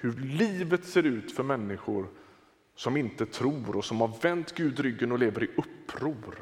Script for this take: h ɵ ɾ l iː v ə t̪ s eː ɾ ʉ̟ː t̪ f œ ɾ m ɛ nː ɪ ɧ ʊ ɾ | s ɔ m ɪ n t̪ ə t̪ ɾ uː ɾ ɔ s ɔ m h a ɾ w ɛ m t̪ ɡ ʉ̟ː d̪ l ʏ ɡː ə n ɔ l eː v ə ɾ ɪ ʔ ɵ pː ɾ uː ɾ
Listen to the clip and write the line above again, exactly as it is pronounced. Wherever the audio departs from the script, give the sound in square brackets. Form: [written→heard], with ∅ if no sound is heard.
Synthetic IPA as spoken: h ɵ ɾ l iː v ə t̪ s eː ɾ ʉ̟ː t̪ f œ ɾ m ɛ nː ɪ ɧ ʊ ɾ | s ɔ m ɪ n t̪ ə [t̪→t̪ʰ] ɾ uː ɾ ɔ s ɔ m h a ɾ [w→v] ɛ [m→n] t̪ ɡ ʉ̟ː d̪ [l→ɾ] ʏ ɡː ə n ɔ l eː v ə ɾ ɪ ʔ ɵ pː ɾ uː ɾ